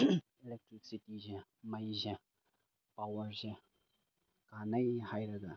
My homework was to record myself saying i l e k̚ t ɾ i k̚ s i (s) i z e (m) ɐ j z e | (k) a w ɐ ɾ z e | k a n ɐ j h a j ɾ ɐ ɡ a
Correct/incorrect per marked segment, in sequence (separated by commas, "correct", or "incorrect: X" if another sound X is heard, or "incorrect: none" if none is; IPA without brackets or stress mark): incorrect: t, correct, incorrect: p